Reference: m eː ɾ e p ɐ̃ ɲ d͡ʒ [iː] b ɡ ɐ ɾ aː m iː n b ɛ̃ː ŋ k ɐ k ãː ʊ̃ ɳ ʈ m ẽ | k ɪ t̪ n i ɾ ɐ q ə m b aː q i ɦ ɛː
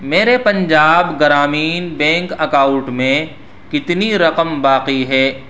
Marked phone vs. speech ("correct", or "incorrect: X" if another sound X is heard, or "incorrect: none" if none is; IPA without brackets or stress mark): incorrect: aː